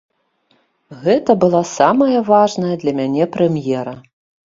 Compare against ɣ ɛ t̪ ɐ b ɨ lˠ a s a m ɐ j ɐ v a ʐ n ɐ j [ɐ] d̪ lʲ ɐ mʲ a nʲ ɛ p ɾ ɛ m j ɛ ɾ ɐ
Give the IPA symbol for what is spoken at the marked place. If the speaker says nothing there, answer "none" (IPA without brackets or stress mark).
ɐ